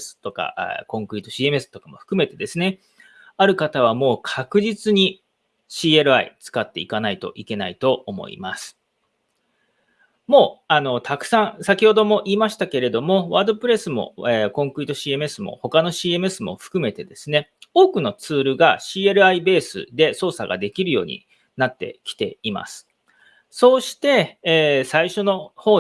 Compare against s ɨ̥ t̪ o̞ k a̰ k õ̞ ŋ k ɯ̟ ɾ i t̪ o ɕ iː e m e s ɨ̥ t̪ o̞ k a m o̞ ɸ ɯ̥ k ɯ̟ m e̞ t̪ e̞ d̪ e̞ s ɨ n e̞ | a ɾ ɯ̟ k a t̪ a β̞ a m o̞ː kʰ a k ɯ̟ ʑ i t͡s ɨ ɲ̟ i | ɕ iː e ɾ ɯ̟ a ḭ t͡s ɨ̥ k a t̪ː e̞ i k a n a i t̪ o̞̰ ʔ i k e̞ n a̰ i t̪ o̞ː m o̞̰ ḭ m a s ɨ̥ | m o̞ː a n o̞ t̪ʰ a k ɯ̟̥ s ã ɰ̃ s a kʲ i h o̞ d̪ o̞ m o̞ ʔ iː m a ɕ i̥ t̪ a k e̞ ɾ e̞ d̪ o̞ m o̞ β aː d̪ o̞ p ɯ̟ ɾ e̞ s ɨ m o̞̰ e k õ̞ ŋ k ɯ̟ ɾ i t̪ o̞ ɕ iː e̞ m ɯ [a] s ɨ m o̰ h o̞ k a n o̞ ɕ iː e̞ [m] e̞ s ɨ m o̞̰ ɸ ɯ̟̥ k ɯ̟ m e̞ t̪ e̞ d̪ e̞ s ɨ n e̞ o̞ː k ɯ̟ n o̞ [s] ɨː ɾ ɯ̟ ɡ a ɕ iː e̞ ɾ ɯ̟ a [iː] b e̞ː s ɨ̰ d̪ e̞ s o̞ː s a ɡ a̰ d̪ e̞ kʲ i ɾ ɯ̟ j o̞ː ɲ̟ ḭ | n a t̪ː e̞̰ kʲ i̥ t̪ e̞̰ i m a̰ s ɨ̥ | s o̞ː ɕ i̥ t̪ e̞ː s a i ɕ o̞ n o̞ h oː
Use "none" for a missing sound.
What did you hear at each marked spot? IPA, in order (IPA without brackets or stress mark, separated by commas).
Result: e, m, t͡s, i